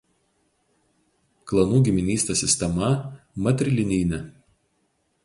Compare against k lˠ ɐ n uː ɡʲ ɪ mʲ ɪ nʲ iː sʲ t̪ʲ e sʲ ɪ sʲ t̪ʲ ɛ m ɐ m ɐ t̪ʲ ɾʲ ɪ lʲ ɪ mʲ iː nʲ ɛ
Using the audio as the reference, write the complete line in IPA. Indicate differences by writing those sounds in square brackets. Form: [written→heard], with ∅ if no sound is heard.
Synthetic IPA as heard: k lˠ ɐ n uː ɡʲ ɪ mʲ ɪ nʲ iː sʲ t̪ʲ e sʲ ɪ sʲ t̪ʲ ɛ m ɐ m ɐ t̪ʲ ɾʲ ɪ lʲ ɪ [mʲ→nʲ] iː nʲ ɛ

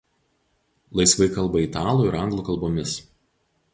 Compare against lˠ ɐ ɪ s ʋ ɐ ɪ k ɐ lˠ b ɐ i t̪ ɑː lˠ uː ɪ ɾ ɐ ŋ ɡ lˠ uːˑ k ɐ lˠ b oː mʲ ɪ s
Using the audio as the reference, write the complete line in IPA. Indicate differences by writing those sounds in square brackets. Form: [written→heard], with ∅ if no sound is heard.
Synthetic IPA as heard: lˠ ɐ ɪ s ʋ ɐ ɪ k ɐ lˠ b ɐ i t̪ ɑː lˠ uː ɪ ɾ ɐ ŋ ɡ lˠ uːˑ k ɐ lˠ b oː mʲ ɪ s

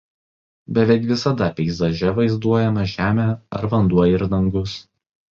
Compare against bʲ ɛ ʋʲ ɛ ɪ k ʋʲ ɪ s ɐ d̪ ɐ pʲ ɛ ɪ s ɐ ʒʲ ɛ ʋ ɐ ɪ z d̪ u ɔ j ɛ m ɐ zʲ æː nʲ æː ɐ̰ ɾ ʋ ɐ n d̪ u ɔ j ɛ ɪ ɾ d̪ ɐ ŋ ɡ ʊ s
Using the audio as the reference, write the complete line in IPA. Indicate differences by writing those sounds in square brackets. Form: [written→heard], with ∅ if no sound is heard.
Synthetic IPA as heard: bʲ ɛ ʋʲ ɛ ɪ k ʋʲ ɪ s ɐ d̪ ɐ pʲ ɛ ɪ [s→z] ɐ ʒʲ ɛ ʋ ɐ ɪ z d̪ u ɔ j ɛ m ɐ [zʲ→ʒʲ] æː [nʲ→mʲ] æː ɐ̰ ɾ ʋ ɐ n d̪ u ɔ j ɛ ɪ ɾ d̪ ɐ ŋ ɡ ʊ s

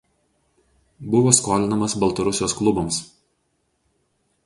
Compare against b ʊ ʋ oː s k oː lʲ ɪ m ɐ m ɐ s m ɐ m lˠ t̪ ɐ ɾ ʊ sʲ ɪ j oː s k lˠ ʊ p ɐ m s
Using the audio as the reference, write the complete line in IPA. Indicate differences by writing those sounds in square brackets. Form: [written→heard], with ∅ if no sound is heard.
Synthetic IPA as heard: b ʊ ʋ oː s k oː lʲ ɪ [m→n] ɐ m ɐ s [m→b] ɐ [m→∅] lˠ t̪ ɐ ɾ ʊ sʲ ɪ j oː s k lˠ ʊ [p→b] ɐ m s

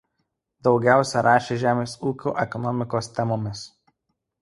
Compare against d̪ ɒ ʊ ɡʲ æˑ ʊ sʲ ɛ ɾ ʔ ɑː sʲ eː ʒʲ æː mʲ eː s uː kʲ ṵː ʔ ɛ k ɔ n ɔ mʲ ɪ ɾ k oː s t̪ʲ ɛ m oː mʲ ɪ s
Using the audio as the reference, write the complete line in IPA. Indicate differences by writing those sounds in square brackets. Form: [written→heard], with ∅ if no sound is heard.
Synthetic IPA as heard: d̪ ɒ ʊ ɡʲ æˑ ʊ sʲ ɛ ɾ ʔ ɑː [sʲ→ʃʲ] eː ʒʲ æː mʲ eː s uː kʲ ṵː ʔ ɛ k ɔ n ɔ mʲ ɪ [ɾ→∅] k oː s t̪ʲ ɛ m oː mʲ ɪ s

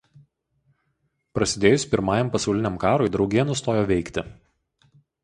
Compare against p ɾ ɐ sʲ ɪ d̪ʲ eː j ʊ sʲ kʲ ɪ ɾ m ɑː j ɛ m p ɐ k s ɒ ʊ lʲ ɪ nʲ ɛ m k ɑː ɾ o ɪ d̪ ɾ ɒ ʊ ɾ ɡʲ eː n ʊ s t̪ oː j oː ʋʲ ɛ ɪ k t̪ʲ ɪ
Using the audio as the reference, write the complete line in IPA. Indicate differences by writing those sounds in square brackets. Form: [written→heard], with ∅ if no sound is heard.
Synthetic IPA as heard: p ɾ ɐ sʲ ɪ d̪ʲ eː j ʊ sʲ [kʲ→pʲ] ɪ ɾ m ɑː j ɛ m p ɐ [k→∅] s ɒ ʊ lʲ ɪ nʲ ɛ m k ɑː ɾ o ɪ d̪ ɾ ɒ ʊ [ɾ→∅] ɡʲ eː n ʊ s t̪ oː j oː ʋʲ ɛ ɪ k t̪ʲ ɪ

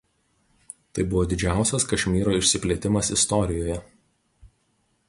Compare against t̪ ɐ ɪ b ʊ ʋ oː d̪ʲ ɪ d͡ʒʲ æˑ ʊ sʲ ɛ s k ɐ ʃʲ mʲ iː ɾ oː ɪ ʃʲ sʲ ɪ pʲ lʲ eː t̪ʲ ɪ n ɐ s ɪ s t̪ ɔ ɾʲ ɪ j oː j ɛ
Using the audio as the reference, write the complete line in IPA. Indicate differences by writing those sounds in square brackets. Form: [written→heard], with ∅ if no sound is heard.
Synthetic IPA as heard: t̪ ɐ ɪ b ʊ ʋ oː d̪ʲ ɪ d͡ʒʲ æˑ ʊ sʲ ɛ s k ɐ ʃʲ mʲ iː ɾ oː ɪ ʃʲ sʲ ɪ pʲ lʲ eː t̪ʲ ɪ [n→m] ɐ s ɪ s t̪ ɔ ɾʲ ɪ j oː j ɛ

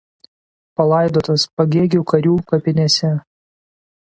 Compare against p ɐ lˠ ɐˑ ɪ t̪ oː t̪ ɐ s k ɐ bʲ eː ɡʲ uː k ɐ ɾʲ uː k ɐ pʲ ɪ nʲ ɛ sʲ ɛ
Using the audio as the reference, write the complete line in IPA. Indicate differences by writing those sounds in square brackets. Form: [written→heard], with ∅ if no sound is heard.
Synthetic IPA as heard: p ɐ lˠ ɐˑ ɪ [t̪→d̪] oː t̪ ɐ s [k→p] ɐ [bʲ→ɡʲ] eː ɡʲ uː k ɐ ɾʲ uː k ɐ pʲ ɪ nʲ ɛ sʲ ɛ

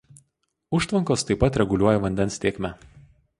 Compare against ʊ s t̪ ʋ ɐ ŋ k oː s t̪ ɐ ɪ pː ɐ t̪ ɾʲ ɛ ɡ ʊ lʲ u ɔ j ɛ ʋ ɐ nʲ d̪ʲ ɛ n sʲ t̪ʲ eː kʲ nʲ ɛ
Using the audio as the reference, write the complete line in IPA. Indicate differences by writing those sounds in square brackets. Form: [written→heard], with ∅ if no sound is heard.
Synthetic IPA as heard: ʊ [s→ʃ] t̪ ʋ ɐ ŋ k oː s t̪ ɐ ɪ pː ɐ t̪ ɾʲ ɛ ɡ ʊ lʲ u ɔ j ɛ ʋ ɐ nʲ d̪ʲ ɛ n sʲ t̪ʲ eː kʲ [nʲ→mʲ] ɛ

